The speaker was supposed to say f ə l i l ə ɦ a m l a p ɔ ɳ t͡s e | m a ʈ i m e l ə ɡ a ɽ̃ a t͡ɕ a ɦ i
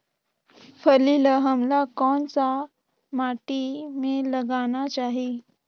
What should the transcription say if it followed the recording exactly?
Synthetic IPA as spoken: f ə l i l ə ɦ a m l a k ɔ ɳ t͡s a | m a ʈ i m e l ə ɡ a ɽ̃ a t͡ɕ a ɦ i